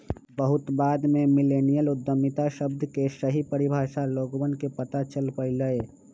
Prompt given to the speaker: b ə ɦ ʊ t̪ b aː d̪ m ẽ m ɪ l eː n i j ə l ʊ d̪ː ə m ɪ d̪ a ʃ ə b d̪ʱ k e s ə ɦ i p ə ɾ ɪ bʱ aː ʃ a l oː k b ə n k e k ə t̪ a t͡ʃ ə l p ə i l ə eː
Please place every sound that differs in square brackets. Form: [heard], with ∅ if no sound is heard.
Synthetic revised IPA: b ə ɦ ʊ t̪ b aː d̪ m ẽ m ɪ l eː n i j ə l ʊ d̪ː ə m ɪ [t̪] a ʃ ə b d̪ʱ k e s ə ɦ i p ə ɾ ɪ bʱ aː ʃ a l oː [ɡ] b ə n k e [p] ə t̪ a t͡ʃ ə l p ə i l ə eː